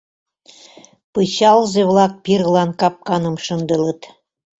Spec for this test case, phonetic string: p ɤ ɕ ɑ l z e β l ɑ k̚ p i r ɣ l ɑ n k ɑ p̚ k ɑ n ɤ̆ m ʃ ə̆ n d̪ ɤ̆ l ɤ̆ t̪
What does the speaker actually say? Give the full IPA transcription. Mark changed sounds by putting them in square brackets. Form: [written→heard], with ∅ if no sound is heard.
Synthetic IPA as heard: p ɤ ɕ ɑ l z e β l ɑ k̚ p i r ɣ l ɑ n k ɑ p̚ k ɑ n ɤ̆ m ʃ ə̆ n d̪ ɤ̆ l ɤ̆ t̪